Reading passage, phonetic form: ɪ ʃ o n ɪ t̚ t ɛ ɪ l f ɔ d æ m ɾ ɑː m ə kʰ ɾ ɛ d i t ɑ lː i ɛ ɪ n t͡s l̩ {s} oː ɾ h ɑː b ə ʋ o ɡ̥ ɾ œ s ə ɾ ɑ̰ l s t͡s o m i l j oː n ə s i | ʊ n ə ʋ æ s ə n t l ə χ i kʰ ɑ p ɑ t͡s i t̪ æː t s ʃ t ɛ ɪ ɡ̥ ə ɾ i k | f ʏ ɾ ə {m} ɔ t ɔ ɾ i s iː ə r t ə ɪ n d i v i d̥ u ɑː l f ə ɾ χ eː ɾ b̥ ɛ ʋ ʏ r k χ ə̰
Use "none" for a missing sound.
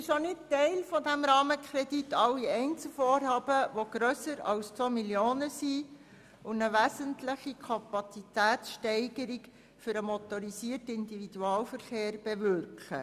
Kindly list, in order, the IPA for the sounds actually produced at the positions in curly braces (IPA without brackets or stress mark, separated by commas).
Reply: f, m